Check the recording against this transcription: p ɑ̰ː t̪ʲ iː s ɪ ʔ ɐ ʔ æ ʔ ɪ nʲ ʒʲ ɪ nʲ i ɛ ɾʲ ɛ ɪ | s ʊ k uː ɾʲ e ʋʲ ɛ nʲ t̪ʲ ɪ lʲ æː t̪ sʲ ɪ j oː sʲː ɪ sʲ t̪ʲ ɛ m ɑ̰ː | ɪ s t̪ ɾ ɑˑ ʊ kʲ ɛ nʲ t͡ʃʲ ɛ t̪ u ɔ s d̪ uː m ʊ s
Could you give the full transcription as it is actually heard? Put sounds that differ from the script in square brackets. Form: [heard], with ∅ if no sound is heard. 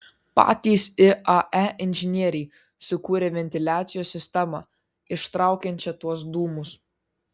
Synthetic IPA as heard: p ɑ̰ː t̪ʲ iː s ɪ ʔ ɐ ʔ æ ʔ ɪ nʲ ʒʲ ɪ nʲ i ɛ ɾʲ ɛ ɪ | s ʊ k uː ɾʲ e ʋʲ ɛ nʲ t̪ʲ ɪ lʲ æː t̪ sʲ ɪ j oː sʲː ɪ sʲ t̪ʲ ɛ m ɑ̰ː | ɪ [ʃ] t̪ ɾ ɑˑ ʊ kʲ ɛ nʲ t͡ʃʲ ɛ t̪ u ɔ s d̪ uː m ʊ s